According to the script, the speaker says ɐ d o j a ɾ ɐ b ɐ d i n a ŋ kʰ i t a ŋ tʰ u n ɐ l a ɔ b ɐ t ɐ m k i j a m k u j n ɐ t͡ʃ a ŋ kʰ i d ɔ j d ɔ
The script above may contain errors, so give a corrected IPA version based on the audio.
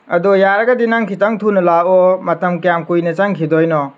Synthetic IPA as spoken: ɐ d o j a ɾ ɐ ɡ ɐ d i n a ŋ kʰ i t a ŋ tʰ u n ɐ l a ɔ m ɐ t ɐ m k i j a m k u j n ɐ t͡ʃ a ŋ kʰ i d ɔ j n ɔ